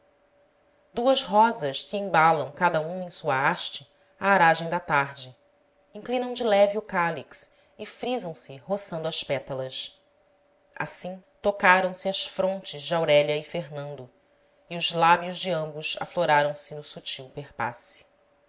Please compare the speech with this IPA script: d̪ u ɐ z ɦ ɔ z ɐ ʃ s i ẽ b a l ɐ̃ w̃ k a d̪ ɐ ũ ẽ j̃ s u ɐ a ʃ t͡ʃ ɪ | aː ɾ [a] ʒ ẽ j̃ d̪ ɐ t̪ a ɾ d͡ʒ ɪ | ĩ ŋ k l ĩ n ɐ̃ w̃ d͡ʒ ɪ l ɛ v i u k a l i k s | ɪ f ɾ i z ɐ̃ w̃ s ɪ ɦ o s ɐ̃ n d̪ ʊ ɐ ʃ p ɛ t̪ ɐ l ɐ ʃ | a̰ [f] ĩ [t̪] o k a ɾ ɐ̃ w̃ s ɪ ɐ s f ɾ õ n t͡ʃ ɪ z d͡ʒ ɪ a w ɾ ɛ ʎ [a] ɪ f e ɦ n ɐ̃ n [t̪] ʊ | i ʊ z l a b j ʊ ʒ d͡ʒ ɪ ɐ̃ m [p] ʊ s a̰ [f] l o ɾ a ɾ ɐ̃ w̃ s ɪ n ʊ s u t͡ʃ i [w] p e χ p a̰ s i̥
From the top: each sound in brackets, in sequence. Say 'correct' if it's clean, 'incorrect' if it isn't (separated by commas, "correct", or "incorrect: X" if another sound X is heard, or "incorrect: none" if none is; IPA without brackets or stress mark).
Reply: correct, incorrect: s, correct, incorrect: ɐ, incorrect: d̪, incorrect: b, correct, correct